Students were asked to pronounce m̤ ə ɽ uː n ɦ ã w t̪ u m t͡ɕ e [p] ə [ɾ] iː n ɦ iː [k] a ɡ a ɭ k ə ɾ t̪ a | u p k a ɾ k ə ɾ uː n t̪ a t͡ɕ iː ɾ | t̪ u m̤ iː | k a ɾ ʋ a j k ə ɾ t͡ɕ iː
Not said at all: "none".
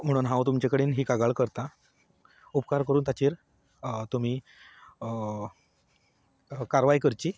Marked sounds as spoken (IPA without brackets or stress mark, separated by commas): k, ɽ, k